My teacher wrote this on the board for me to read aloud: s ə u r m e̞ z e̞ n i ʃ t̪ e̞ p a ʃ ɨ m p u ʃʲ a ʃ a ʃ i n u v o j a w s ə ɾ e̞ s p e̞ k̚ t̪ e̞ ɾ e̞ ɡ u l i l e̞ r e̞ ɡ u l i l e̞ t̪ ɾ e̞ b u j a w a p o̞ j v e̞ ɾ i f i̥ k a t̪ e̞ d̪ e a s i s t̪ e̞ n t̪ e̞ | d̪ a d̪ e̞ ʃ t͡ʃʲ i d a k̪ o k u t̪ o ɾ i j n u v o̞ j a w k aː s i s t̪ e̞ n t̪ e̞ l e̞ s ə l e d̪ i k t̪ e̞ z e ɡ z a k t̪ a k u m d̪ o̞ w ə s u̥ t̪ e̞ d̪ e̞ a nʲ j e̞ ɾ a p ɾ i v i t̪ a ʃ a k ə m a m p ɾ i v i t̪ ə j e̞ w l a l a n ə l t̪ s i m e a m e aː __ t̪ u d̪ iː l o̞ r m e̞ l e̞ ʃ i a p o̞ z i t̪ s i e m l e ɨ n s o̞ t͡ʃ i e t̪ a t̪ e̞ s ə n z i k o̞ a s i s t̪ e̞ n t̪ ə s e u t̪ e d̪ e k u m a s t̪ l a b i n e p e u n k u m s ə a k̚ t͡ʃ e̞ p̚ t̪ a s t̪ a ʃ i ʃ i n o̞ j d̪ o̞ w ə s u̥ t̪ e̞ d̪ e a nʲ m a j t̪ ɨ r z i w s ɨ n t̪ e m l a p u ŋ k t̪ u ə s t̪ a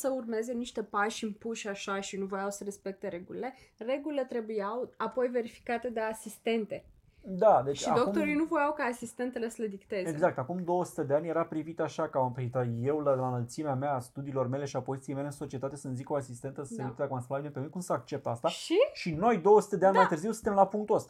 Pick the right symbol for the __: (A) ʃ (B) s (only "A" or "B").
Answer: B